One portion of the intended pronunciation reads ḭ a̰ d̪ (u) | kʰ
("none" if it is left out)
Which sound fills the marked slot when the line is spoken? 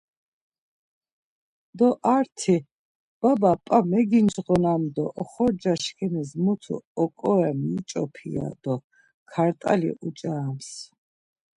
ɔ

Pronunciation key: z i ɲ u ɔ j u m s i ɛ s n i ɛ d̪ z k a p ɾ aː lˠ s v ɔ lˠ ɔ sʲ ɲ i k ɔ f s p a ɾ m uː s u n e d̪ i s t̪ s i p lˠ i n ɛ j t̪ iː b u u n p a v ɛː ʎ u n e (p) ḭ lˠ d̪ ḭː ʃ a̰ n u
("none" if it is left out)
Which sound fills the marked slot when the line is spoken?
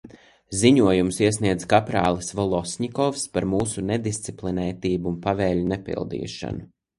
p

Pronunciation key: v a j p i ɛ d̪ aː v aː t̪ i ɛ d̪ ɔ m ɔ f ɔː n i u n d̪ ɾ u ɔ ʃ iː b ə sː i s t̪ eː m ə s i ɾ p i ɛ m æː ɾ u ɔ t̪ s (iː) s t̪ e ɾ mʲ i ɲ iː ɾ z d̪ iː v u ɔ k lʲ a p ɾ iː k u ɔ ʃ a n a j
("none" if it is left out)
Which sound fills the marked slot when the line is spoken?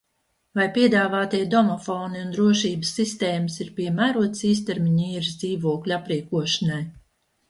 iː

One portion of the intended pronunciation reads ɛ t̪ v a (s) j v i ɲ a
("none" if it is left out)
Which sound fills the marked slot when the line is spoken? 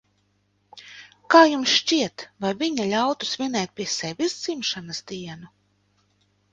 none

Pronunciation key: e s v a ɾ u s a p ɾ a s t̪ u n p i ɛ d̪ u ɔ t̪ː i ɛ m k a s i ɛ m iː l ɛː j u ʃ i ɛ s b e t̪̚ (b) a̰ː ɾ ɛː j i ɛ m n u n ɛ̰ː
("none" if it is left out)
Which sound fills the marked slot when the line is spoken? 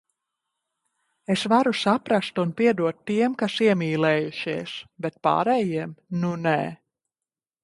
p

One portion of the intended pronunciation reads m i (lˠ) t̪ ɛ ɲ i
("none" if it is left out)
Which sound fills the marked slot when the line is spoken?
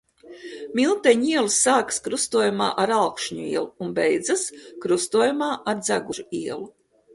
lˠ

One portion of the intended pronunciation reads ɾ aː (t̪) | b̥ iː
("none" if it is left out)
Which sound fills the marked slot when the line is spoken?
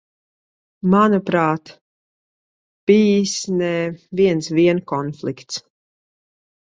t̪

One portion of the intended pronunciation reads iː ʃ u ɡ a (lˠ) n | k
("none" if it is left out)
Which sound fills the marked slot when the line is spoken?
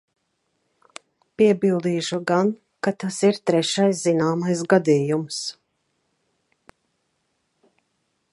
none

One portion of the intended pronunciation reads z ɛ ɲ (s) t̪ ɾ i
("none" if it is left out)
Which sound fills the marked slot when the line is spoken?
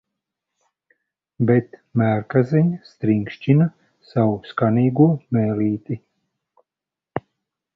s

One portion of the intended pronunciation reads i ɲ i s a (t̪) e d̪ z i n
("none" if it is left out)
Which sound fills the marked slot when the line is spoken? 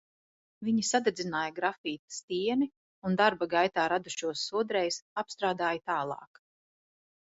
d̪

